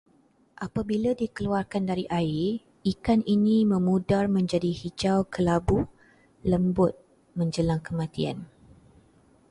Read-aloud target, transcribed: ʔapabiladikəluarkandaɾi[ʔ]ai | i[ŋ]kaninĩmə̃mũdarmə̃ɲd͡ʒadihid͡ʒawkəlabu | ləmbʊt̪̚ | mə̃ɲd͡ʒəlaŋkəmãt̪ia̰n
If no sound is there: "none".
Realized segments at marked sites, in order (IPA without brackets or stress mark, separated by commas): ʔ, none